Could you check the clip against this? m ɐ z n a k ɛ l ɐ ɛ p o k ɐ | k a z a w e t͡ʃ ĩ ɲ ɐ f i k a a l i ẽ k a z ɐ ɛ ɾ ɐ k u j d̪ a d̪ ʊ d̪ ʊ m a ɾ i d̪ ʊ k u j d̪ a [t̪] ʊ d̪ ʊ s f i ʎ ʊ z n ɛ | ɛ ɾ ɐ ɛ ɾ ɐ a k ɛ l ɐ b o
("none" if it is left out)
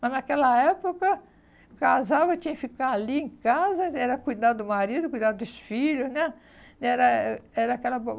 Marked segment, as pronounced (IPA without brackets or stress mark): d̪